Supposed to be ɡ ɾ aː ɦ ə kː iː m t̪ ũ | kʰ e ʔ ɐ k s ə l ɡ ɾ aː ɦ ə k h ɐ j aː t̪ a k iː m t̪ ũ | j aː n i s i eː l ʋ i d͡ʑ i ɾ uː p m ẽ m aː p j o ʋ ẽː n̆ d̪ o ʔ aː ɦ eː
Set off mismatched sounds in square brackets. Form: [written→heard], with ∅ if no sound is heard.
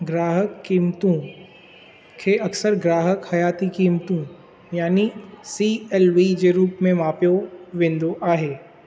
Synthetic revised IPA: ɡ ɾ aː ɦ ə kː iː m t̪ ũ | kʰ e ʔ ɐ k s ə [l→ɾ] ɡ ɾ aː ɦ ə k h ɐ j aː t̪ [a→i] k iː m t̪ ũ | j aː n i s i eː l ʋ i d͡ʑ [i→e] ɾ uː p m ẽ m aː p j o ʋ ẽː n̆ d̪ o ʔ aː ɦ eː